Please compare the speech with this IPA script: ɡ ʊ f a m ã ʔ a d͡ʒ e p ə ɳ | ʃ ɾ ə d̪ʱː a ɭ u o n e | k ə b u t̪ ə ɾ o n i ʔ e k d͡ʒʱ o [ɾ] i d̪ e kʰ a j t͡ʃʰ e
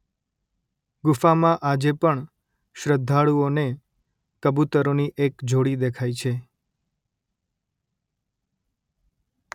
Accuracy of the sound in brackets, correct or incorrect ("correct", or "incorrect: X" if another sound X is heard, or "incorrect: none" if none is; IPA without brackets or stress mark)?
incorrect: ɽ